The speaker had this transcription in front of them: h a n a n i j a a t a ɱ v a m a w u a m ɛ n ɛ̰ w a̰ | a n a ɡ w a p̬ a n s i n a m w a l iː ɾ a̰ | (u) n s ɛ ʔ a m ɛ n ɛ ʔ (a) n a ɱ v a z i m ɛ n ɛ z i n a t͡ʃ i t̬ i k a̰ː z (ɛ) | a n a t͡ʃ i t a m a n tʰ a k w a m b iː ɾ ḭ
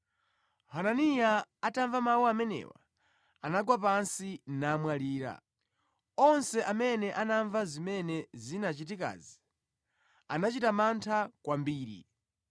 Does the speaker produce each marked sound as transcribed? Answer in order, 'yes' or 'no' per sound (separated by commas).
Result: no, yes, no